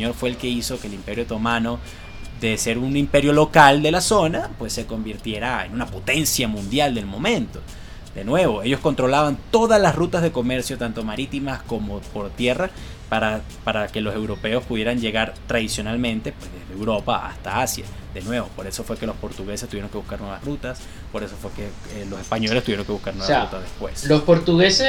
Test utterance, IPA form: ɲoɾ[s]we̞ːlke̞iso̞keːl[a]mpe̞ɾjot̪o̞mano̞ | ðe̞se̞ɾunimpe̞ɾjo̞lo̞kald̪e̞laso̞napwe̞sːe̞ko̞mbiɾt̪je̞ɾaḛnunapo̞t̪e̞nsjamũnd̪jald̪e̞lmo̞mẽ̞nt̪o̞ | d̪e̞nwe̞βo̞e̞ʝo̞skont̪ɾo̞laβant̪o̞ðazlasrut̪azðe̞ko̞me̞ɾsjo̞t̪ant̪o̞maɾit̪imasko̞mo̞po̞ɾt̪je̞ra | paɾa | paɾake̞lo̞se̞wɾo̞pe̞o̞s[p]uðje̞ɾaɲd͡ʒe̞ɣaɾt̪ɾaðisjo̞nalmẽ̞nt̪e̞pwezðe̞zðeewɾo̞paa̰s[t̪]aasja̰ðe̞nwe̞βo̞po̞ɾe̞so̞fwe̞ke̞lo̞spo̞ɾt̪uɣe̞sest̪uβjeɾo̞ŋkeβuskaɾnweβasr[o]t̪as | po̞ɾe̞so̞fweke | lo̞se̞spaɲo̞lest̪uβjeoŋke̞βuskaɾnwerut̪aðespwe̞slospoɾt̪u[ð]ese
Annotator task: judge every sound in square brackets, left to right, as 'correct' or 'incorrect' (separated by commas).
incorrect, incorrect, correct, correct, incorrect, incorrect